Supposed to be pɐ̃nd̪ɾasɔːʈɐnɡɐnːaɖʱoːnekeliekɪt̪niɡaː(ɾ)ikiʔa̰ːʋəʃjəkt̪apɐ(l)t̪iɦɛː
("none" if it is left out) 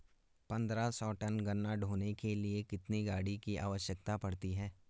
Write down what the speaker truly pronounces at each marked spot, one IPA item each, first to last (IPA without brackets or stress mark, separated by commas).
ɽ, ɽ